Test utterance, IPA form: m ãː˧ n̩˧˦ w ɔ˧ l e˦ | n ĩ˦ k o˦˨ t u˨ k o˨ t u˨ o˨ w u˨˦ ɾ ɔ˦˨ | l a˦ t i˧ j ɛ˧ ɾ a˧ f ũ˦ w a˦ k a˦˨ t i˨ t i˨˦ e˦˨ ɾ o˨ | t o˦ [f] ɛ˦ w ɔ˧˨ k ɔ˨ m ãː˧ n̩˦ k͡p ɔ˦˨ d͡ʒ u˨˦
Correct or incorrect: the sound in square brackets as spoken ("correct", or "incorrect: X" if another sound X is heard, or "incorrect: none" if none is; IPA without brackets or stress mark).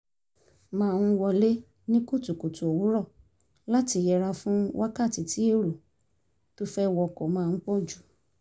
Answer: correct